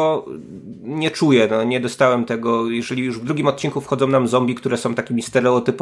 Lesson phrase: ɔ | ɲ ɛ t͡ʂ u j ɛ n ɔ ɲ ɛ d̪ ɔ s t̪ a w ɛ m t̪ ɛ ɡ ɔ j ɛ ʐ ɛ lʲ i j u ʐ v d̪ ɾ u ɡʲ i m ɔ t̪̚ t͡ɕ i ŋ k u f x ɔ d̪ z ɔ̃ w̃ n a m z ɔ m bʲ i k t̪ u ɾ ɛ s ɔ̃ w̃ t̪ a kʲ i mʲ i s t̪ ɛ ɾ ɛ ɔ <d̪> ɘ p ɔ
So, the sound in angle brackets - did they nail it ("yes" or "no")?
no